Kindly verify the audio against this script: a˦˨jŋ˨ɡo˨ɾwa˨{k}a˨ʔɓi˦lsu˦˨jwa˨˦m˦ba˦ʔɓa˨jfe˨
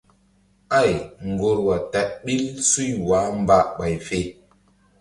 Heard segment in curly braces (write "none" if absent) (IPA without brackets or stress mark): t